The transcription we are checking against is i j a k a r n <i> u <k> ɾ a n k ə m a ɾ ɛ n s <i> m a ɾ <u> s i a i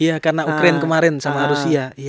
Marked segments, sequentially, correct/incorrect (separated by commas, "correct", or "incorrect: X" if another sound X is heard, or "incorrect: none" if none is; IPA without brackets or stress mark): incorrect: a, correct, incorrect: a, correct